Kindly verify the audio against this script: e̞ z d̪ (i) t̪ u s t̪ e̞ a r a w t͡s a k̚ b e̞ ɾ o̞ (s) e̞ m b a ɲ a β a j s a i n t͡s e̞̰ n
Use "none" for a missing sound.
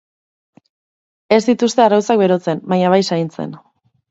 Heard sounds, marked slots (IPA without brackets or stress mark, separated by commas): i, t͡s